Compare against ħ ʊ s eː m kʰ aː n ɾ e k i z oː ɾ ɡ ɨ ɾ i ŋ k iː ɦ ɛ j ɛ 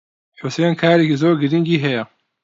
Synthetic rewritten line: ħ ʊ s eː n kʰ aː ɾ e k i z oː ɾ ɡ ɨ ɾ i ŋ ɡ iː ɦ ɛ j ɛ